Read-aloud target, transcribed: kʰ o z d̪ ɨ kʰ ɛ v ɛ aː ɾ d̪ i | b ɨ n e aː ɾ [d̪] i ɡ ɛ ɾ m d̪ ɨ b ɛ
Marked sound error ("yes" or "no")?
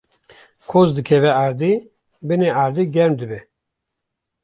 no